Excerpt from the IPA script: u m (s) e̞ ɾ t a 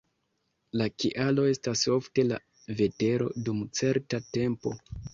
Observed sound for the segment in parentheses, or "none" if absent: t͡s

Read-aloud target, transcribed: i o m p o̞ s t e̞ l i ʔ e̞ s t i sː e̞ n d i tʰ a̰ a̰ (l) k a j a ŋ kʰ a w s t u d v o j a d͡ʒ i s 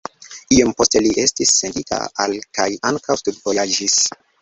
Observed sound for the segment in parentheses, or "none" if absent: l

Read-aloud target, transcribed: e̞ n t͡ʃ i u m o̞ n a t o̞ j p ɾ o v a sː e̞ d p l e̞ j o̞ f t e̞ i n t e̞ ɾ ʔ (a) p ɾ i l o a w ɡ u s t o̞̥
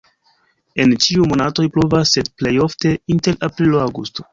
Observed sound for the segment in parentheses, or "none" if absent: a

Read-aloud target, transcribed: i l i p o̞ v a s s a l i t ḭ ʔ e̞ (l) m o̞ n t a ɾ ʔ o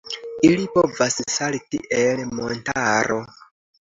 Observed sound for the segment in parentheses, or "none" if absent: l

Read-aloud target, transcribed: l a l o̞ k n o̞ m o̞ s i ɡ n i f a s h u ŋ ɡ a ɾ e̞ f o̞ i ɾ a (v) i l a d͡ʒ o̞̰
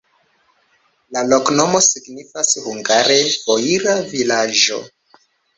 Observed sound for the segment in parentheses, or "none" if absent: v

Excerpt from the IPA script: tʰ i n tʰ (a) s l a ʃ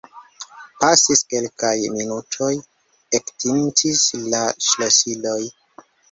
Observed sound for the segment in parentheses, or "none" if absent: i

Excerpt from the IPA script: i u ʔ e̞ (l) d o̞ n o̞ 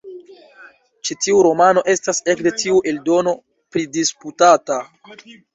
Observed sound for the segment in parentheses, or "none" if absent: l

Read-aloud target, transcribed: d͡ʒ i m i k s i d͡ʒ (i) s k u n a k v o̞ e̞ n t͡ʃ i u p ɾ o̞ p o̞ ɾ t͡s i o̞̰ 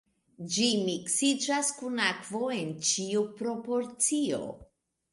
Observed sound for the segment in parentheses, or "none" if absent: a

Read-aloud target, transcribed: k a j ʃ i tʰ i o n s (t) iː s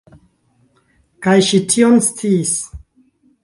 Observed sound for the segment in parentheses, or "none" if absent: t͡s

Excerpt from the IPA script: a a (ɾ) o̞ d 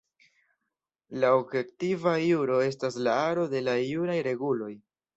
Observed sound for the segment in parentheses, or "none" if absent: ɾ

